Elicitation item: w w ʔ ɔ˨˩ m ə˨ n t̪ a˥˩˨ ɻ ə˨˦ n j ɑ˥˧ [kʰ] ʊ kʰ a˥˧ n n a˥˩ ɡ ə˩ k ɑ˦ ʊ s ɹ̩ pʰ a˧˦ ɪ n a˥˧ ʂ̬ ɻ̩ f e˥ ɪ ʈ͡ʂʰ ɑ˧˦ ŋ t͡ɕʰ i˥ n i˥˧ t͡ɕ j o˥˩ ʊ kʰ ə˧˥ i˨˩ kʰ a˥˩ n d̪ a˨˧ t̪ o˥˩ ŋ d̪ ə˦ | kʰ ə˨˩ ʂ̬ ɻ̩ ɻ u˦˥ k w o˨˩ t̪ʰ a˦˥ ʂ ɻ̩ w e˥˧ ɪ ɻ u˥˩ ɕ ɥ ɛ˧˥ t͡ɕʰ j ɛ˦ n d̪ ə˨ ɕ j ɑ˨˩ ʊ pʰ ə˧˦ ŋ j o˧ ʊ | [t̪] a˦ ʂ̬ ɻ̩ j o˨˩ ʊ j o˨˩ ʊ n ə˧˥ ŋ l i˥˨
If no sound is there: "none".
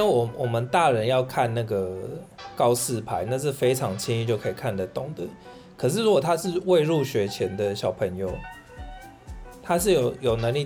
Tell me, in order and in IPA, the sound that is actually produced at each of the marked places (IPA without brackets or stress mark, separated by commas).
none, t̪ʰ